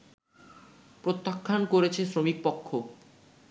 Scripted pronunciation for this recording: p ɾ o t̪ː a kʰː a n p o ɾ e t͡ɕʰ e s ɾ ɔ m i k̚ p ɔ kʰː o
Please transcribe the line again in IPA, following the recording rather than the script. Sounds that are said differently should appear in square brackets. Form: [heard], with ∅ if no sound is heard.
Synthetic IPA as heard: p ɾ o t̪ː a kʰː a n [k] o ɾ e t͡ɕʰ e s ɾ [o] m i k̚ p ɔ kʰː o